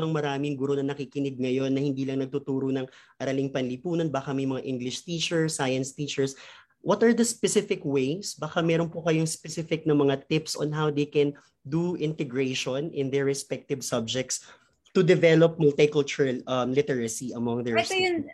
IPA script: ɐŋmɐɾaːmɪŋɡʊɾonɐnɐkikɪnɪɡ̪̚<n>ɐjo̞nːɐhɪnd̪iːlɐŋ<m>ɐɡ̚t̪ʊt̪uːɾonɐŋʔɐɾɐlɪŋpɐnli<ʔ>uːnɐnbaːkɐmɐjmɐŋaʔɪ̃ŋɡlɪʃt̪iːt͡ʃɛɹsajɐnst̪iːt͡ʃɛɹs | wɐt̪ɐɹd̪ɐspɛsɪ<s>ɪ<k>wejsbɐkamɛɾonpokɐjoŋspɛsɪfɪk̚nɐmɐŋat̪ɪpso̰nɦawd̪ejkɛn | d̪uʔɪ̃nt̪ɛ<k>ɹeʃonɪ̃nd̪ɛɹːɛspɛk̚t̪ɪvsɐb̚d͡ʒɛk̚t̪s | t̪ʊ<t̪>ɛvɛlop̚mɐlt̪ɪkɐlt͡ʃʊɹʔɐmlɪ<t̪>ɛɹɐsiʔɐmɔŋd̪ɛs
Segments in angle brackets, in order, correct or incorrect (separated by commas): incorrect, incorrect, incorrect, incorrect, correct, incorrect, incorrect, correct